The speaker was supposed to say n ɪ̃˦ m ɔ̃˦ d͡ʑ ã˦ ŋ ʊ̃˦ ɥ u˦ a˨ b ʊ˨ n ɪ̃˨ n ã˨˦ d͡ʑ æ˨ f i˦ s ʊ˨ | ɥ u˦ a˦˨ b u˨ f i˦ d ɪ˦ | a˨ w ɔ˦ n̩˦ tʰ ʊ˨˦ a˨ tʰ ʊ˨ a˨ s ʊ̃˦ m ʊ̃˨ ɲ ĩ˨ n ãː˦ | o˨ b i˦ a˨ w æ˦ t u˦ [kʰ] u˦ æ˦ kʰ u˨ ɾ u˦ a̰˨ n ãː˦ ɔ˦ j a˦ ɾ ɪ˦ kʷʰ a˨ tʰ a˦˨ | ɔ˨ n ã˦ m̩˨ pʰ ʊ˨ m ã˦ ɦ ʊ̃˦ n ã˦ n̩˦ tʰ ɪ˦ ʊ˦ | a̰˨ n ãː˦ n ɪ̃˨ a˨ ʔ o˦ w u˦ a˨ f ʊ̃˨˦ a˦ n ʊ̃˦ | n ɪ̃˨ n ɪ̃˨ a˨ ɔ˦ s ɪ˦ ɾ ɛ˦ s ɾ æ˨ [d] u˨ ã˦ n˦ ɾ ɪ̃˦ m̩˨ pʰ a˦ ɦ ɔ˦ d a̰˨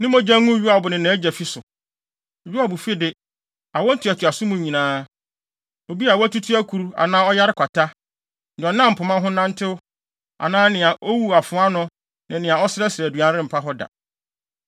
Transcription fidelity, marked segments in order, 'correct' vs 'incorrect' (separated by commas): incorrect, correct